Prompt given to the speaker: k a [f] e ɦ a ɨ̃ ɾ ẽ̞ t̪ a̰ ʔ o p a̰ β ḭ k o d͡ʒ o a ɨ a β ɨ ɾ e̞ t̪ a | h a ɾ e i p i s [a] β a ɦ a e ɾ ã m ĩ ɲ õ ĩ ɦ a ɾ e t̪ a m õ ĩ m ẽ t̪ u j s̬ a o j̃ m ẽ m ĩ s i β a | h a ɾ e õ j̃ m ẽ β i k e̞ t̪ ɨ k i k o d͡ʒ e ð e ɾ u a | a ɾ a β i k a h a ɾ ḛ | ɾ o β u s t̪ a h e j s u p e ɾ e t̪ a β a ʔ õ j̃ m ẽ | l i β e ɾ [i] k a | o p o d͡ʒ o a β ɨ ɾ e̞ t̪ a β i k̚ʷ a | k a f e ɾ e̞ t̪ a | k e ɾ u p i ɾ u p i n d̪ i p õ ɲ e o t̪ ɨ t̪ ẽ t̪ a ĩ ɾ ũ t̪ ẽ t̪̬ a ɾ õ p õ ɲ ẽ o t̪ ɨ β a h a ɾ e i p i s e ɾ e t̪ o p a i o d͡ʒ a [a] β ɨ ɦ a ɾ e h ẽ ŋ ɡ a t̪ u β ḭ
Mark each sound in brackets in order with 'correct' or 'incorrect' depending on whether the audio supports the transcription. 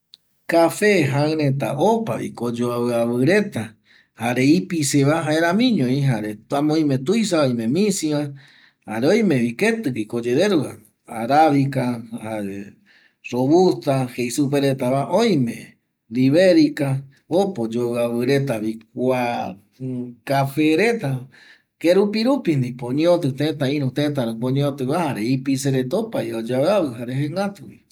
correct, incorrect, correct, correct

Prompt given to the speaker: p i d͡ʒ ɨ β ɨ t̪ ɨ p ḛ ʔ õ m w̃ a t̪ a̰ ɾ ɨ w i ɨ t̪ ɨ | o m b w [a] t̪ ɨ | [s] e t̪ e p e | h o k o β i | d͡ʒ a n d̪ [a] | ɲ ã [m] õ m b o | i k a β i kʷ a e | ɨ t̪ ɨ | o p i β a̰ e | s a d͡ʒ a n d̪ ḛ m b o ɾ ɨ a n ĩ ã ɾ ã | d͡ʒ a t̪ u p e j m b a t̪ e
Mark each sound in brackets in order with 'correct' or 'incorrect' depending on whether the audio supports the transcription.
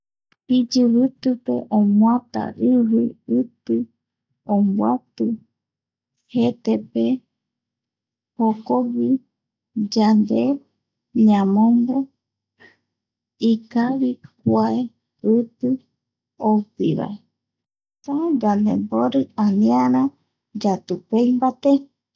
correct, incorrect, incorrect, correct

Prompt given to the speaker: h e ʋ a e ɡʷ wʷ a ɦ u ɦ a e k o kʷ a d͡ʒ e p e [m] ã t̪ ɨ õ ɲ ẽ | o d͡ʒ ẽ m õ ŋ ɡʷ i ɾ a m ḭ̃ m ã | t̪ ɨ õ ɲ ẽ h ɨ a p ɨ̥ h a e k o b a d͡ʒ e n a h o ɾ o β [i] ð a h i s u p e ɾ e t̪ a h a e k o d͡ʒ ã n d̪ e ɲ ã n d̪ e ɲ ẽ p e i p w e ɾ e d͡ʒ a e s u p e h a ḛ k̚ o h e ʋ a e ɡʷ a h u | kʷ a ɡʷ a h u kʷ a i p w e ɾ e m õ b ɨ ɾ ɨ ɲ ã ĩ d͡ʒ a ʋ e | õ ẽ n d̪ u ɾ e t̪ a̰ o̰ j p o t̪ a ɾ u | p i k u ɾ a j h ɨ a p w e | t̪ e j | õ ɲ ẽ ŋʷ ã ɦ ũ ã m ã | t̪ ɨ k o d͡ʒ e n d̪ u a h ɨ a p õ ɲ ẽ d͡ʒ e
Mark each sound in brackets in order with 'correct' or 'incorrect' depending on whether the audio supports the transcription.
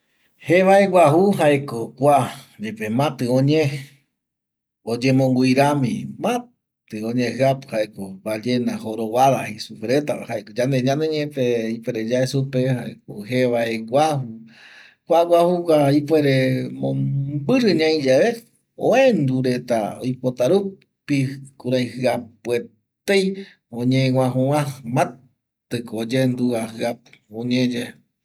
correct, incorrect

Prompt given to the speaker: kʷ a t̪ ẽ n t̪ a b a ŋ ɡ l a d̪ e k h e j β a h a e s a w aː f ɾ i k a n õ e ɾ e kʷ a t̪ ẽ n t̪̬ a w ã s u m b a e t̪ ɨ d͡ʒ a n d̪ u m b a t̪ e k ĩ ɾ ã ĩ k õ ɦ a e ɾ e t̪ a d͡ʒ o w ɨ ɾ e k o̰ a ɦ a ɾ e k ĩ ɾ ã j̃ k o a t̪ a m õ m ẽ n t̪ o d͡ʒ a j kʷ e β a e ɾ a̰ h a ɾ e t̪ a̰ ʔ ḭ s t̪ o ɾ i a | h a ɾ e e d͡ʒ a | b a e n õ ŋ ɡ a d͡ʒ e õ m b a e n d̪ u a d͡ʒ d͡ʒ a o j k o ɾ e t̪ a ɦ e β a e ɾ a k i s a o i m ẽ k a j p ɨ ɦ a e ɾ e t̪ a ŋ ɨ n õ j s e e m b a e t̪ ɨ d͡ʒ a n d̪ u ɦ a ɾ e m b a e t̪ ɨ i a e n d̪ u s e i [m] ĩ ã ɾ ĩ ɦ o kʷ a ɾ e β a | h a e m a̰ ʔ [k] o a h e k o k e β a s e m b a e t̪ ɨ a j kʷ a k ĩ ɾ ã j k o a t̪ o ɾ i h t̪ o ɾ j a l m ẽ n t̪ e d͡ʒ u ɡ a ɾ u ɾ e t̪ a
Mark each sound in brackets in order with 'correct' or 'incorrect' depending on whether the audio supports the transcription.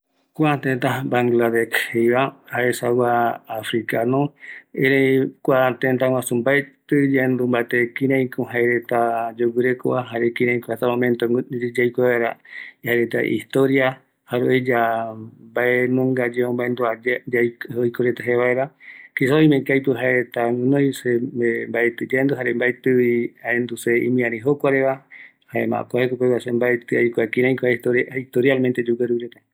correct, correct

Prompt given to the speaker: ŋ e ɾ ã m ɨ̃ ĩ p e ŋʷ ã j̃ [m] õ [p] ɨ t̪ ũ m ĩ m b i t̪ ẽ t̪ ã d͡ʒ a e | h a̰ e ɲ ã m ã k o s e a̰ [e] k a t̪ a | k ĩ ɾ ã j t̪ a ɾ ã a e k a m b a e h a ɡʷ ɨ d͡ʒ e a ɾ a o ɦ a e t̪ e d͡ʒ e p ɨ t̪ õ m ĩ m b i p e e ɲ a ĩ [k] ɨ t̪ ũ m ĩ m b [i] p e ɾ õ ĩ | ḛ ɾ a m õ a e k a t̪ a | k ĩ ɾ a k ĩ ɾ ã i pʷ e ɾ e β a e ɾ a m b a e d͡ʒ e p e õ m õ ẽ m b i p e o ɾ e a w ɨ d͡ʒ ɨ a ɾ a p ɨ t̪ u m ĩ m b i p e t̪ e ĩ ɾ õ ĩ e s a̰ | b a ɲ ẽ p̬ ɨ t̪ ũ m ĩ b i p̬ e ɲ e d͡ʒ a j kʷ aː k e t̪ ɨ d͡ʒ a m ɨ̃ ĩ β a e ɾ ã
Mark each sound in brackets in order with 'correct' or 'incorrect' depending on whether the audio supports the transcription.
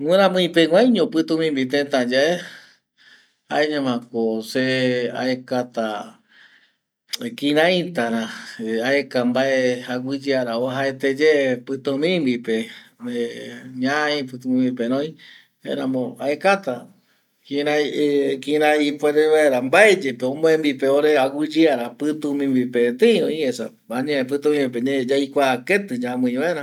incorrect, correct, correct, incorrect, correct

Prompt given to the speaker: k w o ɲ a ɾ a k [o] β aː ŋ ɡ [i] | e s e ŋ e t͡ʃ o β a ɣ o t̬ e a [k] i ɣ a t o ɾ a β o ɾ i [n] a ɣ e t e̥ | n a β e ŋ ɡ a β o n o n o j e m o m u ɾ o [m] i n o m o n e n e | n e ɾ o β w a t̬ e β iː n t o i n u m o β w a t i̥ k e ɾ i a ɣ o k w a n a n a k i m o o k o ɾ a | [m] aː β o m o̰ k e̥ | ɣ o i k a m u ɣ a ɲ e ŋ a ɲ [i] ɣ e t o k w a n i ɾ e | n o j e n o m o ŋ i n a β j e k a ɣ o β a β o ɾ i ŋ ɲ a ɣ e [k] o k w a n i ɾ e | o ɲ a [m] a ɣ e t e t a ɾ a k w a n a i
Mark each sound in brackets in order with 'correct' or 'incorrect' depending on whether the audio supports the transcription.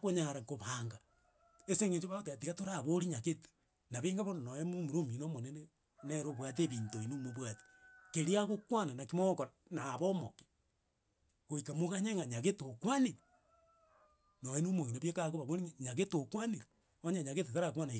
correct, incorrect, incorrect, incorrect, correct, incorrect, incorrect, incorrect, incorrect

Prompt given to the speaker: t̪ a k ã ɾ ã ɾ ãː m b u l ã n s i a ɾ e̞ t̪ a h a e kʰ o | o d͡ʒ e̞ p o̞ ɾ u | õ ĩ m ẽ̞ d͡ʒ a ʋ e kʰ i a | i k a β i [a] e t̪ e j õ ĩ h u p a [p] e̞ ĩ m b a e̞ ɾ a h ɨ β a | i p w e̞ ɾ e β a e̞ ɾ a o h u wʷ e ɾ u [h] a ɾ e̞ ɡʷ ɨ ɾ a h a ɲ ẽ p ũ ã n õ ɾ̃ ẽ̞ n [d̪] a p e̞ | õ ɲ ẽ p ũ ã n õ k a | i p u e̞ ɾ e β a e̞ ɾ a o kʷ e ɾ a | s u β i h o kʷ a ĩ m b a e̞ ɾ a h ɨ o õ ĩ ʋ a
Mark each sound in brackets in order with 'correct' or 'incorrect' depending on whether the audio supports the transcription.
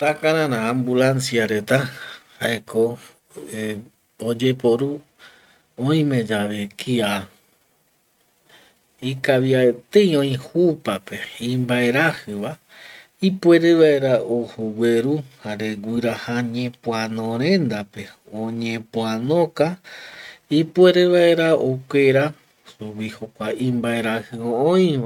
correct, correct, correct, correct

